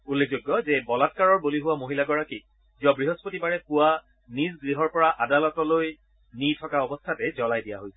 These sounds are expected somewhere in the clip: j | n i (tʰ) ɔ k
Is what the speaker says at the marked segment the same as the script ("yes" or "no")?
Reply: yes